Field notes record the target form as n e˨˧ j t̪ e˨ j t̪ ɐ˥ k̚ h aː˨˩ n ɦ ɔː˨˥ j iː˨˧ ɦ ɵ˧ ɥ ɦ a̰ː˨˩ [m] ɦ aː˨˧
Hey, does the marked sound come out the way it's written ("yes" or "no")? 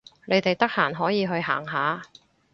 no